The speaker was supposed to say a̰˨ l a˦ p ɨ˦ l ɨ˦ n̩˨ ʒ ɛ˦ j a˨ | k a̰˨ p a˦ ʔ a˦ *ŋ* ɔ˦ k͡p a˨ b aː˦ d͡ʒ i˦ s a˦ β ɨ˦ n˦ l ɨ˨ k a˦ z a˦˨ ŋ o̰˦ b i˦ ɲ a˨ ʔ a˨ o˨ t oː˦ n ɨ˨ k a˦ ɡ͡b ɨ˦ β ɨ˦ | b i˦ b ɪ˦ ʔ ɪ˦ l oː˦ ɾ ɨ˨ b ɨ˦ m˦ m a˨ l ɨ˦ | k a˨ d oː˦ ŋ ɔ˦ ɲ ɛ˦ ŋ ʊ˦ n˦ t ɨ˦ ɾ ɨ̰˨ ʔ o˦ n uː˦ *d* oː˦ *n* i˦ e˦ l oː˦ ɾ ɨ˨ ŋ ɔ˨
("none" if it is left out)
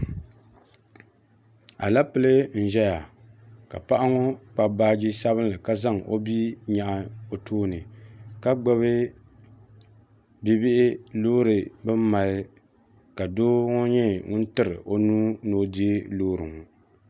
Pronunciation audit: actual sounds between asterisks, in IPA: ŋ, n, d

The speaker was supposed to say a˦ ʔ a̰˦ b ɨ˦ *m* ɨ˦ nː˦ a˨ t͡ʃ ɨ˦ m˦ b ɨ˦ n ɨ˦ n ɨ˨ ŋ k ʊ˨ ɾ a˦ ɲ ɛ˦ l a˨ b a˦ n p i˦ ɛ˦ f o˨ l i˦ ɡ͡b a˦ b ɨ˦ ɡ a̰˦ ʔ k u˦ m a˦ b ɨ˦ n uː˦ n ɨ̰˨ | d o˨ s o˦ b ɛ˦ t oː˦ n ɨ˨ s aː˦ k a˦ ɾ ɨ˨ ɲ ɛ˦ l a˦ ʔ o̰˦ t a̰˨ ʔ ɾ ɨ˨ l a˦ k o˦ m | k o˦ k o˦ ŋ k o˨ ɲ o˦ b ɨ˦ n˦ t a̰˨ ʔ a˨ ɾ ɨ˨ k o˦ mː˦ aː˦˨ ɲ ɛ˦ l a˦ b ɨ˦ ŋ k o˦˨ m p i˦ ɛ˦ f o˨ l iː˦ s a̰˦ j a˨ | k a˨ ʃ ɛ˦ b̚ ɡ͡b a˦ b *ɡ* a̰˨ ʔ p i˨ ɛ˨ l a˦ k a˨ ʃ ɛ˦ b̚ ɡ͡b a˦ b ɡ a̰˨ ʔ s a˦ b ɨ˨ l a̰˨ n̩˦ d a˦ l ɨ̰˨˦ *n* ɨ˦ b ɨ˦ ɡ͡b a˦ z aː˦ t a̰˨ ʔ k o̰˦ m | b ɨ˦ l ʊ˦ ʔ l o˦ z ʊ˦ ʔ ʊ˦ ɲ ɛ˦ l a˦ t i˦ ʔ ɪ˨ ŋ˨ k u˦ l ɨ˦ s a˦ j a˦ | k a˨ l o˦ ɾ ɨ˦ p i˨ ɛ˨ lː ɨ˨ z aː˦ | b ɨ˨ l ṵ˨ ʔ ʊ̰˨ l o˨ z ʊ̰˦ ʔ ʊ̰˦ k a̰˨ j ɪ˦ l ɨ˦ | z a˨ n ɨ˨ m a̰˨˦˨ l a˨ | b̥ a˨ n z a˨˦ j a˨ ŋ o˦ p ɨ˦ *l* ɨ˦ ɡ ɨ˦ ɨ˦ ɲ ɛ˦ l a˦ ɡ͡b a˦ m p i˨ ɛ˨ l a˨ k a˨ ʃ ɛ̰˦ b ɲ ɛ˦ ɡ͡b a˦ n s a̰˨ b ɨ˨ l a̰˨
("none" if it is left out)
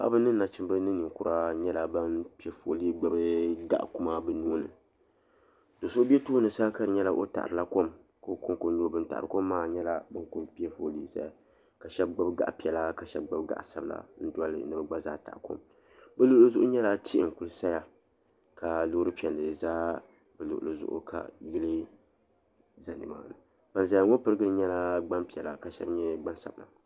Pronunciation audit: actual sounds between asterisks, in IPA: n, ɡ, n, ɾ

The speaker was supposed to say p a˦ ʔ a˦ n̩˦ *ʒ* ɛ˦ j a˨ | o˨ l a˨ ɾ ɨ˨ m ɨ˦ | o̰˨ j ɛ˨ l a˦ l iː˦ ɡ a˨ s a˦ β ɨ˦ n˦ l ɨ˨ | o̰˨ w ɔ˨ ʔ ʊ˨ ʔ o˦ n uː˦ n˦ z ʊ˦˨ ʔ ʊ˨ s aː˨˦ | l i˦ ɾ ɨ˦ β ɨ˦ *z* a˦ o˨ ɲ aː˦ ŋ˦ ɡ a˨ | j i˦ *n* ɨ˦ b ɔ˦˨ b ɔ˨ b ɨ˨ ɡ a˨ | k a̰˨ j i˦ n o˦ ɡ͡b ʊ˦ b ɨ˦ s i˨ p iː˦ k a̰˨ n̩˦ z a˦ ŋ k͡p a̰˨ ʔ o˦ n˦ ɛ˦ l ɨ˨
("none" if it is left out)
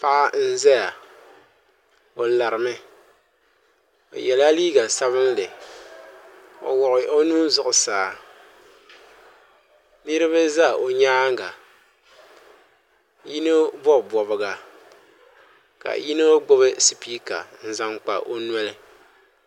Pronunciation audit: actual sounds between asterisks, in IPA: z, z, n

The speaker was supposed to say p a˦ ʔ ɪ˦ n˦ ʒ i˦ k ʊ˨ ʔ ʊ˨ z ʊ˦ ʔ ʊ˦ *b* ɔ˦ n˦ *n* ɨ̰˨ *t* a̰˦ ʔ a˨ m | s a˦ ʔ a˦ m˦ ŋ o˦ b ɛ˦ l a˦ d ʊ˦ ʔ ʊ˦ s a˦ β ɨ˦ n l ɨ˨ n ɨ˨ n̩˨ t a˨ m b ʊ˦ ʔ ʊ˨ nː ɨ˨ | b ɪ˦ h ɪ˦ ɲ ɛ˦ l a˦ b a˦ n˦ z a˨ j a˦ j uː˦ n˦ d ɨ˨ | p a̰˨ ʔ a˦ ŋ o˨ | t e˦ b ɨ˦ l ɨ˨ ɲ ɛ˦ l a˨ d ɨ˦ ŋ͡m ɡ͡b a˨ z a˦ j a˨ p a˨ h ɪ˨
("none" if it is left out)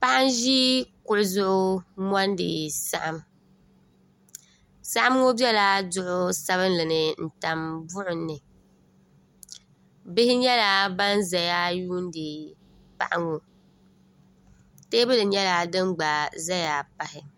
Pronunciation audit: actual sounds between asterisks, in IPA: m, d, s

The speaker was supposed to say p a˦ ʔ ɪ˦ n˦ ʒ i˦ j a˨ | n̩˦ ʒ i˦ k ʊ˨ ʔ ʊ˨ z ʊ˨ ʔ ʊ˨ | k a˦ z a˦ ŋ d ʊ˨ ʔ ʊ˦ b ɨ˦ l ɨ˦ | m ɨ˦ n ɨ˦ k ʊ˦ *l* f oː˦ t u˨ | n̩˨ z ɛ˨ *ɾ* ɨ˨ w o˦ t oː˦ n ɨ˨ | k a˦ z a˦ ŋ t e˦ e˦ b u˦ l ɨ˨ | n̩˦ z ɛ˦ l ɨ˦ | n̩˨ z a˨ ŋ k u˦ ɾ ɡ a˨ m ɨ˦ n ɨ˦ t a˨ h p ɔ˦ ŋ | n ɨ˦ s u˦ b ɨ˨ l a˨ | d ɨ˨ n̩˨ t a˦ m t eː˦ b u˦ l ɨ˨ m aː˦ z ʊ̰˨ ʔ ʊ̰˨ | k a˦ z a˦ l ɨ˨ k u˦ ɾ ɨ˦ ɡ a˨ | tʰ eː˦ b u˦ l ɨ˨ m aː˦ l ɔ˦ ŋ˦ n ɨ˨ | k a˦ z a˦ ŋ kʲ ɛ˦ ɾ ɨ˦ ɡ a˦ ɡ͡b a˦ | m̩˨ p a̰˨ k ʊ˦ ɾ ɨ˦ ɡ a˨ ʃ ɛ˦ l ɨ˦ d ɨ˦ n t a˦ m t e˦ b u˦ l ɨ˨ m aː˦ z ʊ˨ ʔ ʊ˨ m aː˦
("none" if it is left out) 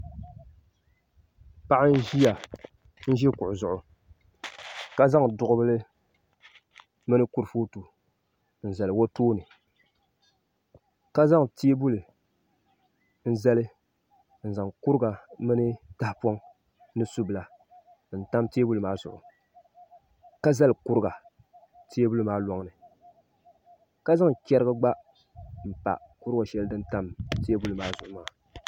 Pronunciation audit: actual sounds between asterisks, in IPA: ɾ, l

